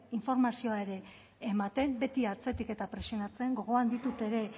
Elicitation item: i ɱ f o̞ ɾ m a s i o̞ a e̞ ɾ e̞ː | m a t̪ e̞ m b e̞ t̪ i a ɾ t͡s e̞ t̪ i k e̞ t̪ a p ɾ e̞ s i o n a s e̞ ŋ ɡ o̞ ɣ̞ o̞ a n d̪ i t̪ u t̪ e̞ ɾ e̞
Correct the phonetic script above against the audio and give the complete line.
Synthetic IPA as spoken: i ɱ f o̞ ɾ m a s i o̞ a e̞ ɾ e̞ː | m a t̪ e̞ m b e̞ t̪ i a ɾ t͡s e̞ t̪ i k e̞ t̪ a p ɾ e̞ s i o n a t͡s e̞ ŋ ɡ o̞ ɣ̞ o̞ a n d̪ i t̪ u t̪ e̞ ɾ e̞